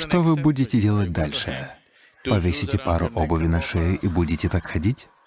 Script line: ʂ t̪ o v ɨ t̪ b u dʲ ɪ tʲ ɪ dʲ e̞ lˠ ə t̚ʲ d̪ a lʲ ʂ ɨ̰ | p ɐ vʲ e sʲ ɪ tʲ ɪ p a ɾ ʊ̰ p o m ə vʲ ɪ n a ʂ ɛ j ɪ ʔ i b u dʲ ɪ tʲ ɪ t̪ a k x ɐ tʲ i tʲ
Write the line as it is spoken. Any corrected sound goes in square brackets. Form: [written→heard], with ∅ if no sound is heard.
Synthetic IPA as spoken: ʂ t̪ o v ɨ [t̪→∅] b u dʲ ɪ tʲ ɪ dʲ e̞ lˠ ə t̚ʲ d̪ a lʲ ʂ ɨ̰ | p ɐ vʲ e sʲ ɪ tʲ ɪ p a ɾ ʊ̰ [p→ʔ] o [m→b] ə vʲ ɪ n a ʂ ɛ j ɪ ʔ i b u dʲ ɪ tʲ ɪ t̪ a k x ɐ [tʲ→dʲ] i tʲ